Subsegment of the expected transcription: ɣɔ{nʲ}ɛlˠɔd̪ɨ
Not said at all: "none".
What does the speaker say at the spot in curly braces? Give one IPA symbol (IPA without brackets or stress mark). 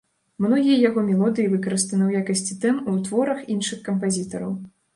mʲ